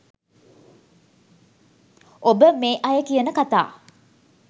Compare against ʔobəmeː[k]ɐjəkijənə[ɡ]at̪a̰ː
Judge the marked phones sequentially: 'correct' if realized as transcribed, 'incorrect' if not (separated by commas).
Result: incorrect, incorrect